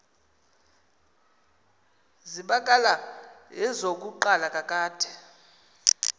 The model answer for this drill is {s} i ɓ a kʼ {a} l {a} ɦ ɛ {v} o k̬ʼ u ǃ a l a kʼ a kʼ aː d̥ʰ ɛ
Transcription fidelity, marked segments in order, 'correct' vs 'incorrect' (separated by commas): incorrect, correct, correct, incorrect